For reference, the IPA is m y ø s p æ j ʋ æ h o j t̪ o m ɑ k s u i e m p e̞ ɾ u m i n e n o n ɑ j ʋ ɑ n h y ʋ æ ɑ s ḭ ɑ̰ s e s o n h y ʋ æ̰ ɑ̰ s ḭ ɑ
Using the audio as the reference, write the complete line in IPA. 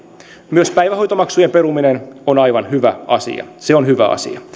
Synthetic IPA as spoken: m y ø s p æ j ʋ æ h o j t̪ o m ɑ k s u j e m p e̞ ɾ u m i n e n o n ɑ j ʋ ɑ n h y ʋ æ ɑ s ḭ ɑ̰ s e o n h y ʋ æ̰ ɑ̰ s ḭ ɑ